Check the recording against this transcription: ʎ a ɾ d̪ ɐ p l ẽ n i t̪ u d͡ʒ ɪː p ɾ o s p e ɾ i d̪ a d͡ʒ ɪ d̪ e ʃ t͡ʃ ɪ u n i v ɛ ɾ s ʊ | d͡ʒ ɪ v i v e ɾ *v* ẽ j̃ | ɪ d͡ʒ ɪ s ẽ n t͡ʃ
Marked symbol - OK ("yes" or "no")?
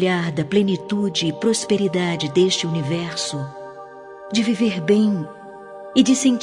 no